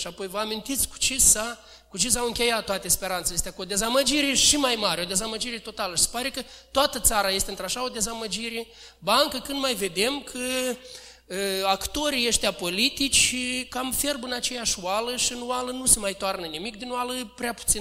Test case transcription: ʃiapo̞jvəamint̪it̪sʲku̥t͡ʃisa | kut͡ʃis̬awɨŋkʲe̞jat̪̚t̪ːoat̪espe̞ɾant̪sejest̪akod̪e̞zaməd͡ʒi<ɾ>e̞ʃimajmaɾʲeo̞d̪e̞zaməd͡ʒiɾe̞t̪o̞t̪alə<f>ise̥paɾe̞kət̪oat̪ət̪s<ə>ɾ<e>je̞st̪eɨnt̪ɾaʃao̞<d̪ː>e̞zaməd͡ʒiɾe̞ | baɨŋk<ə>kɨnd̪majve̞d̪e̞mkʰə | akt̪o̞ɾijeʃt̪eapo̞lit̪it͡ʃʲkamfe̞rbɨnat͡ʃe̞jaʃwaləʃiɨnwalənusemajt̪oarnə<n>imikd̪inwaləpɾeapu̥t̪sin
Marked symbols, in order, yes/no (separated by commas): yes, no, no, no, no, yes, yes